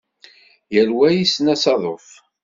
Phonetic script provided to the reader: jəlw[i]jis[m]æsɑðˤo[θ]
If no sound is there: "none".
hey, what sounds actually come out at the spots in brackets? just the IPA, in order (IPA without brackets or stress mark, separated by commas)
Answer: æ, n, f